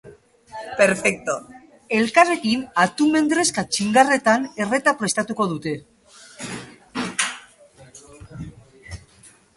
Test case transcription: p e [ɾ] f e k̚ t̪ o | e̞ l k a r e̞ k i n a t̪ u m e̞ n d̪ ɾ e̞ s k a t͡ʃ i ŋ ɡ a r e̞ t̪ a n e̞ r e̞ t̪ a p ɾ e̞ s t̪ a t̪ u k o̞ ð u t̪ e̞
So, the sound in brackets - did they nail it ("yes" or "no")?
yes